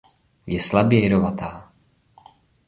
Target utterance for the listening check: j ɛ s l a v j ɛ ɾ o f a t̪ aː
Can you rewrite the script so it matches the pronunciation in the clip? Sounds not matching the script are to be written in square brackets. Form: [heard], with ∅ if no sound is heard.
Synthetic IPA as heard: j ɛ s l a [b] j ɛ ɾ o [v] a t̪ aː